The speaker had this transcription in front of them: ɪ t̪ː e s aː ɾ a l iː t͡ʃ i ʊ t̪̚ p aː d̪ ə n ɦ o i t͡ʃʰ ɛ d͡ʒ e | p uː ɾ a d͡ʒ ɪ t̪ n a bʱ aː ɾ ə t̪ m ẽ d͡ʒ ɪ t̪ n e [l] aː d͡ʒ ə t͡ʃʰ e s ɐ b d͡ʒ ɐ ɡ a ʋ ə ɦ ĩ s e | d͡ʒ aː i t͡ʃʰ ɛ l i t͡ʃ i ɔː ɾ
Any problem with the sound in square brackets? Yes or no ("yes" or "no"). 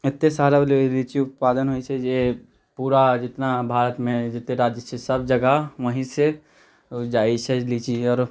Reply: yes